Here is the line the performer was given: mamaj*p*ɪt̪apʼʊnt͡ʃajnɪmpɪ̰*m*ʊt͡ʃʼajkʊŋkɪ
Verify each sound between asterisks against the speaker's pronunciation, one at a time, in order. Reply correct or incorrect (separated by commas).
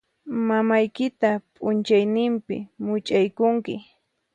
incorrect, correct